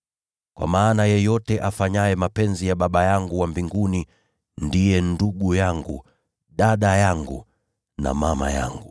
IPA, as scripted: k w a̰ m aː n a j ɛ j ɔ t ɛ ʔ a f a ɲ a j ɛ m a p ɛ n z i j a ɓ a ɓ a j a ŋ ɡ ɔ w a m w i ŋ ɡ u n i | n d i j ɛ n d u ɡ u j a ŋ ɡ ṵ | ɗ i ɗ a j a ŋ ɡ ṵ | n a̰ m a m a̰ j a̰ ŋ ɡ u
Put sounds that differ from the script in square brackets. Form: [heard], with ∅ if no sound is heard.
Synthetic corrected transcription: k w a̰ m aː n a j ɛ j ɔ t ɛ ʔ a f a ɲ a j ɛ m a p ɛ n z i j a ɓ a ɓ a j a ŋ ɡ [u] w a m [b] i ŋ ɡ u n i | n d i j ɛ n d u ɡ u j a ŋ ɡ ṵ | ɗ [a] ɗ a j a ŋ ɡ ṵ | n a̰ m a m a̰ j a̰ ŋ ɡ u